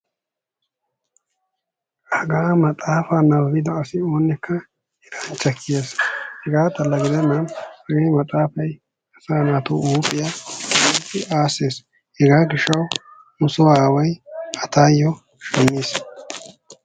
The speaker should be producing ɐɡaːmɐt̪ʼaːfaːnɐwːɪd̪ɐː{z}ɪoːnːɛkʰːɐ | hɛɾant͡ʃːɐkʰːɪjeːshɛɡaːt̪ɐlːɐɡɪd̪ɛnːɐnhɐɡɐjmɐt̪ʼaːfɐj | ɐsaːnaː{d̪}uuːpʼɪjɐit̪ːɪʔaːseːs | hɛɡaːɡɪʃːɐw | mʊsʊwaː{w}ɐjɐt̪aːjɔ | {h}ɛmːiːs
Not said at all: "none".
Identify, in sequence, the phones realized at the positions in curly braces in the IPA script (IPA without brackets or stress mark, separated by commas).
s, t̪, w, ʃ